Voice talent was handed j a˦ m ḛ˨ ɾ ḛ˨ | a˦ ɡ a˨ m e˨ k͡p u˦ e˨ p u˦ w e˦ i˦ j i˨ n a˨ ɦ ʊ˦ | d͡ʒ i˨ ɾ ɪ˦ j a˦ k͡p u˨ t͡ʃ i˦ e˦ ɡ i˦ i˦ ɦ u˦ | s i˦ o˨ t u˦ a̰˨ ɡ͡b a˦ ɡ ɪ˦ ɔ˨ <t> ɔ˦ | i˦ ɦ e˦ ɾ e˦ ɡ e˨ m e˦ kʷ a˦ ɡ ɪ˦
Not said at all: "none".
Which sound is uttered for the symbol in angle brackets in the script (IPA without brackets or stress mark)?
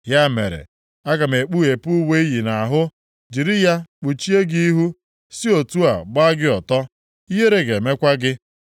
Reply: t